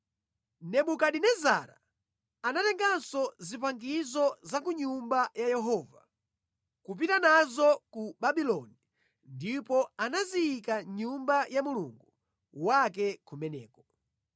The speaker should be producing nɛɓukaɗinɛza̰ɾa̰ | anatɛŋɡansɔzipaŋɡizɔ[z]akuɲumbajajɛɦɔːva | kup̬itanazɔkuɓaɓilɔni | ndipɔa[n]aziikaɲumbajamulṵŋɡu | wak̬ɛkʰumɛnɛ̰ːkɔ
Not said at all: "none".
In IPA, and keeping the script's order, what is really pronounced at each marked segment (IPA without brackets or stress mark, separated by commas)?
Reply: z, n